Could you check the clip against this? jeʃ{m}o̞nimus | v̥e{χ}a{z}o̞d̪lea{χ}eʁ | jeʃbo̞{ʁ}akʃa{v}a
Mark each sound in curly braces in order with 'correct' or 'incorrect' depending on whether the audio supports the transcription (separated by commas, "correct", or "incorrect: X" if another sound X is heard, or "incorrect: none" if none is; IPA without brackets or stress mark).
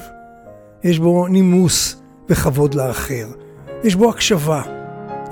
incorrect: b, correct, incorrect: v, correct, incorrect: none, correct